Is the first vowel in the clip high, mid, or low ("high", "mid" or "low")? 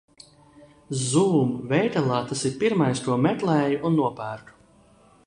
high